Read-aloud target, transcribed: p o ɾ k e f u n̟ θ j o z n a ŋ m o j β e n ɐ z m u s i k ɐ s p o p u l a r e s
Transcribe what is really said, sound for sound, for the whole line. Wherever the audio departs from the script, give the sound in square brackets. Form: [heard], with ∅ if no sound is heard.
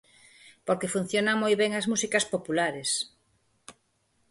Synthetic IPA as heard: p o ɾ k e f u n̟ θ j o [∅] n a ŋ m o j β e [ŋ] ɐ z m u s i k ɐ s p o p u l a [ɾ] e s